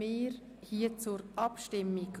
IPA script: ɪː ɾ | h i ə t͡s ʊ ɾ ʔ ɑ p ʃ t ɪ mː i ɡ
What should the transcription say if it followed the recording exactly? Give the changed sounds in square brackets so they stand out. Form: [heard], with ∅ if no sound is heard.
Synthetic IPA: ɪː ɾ | h i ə t͡s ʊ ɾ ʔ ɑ p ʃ t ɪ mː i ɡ